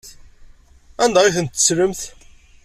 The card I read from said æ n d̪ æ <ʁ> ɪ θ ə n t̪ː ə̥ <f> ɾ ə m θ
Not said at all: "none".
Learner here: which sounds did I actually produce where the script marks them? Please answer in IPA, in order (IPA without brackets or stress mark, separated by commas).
ʁ, s